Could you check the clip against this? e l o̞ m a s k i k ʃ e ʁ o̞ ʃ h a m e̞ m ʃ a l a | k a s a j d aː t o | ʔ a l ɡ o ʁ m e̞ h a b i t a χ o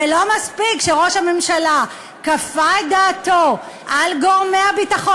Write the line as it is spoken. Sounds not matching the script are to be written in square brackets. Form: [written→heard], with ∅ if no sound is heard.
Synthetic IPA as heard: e l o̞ m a s [k→p] i k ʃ e ʁ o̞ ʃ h a m e̞ m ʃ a l a | k a [s→f] a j d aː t o | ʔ a l ɡ o ʁ m e̞ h a b i t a χ o

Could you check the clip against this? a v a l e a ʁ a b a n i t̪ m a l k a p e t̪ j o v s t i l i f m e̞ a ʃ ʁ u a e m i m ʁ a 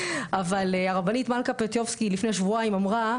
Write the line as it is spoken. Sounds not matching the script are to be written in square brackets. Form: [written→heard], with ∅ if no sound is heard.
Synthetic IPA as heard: a v a l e a ʁ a b a n i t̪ m a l k a p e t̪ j o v s [t→k] i l i f [m→n] e̞ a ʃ [ʁ→v] u a [e→i] m [i→a] m ʁ a

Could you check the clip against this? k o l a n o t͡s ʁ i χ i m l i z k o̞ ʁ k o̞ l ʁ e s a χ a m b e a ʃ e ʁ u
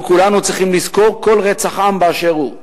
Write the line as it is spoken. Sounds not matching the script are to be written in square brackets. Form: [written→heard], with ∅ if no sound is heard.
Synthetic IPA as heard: k [o→u] l a n [o→u] t͡s ʁ i χ i m l i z k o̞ ʁ k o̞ l ʁ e [s→t͡s] a χ a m b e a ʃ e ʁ u

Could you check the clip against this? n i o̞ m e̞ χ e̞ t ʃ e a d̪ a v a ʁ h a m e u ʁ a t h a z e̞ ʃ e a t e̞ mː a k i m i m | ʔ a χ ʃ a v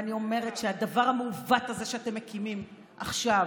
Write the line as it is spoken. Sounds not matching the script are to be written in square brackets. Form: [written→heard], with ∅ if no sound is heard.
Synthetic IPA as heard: n i o̞ m e̞ [χ→ʁ] e̞ t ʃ e a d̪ a v a ʁ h a m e u [ʁ→v] a t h a z e̞ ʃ e a t e̞ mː [a→e] k i m i m | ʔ a χ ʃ a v

